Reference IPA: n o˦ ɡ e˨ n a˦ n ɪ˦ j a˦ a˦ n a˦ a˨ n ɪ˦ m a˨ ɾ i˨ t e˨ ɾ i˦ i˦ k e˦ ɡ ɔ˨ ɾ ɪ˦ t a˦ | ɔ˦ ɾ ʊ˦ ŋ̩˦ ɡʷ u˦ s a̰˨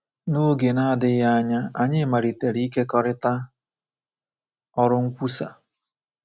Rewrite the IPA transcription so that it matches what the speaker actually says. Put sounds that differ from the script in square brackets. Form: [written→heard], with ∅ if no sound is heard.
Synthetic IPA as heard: n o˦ ɡ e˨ n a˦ [n→d] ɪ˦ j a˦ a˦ [n→ɲ] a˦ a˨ [n→ɲ] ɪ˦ m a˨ ɾ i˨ t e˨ ɾ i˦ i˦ k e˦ [ɡ→k] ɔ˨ ɾ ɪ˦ t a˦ | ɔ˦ ɾ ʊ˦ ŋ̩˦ [ɡʷ→kʷ] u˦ s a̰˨